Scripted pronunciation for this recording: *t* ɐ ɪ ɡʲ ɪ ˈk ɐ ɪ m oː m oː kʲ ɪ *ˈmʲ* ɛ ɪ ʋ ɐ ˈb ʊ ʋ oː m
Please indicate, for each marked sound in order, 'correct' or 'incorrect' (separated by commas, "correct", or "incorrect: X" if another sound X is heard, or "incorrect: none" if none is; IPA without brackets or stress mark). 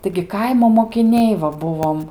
correct, incorrect: nʲ